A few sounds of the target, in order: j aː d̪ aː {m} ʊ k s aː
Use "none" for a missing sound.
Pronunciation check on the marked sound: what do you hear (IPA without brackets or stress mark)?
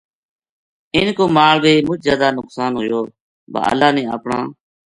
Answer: n